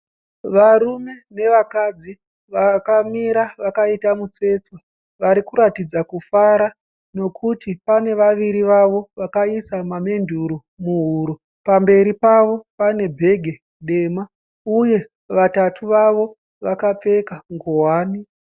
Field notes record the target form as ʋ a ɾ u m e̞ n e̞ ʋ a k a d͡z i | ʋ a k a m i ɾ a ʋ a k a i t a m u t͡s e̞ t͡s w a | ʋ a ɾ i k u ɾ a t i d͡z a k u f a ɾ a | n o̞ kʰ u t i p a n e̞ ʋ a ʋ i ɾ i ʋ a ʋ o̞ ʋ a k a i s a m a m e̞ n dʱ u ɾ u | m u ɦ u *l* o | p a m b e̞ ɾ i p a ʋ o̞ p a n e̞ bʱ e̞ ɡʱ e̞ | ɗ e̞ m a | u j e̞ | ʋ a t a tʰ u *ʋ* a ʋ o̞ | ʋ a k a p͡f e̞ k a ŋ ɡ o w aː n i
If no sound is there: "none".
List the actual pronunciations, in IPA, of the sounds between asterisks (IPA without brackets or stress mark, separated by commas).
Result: ɾ, ʋ